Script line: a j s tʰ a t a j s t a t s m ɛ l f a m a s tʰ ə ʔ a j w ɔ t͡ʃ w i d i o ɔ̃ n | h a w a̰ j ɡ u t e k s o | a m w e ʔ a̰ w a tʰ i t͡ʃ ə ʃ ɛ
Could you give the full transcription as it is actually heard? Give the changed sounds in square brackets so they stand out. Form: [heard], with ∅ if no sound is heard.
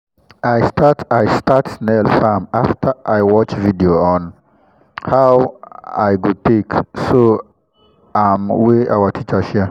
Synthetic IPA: a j s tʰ a t a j s t a t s [n] ɛ l f a m a [f] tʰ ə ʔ a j w ɔ t͡ʃ [v] i d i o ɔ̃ n | h a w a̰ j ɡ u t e k s o | a m w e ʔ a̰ w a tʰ i t͡ʃ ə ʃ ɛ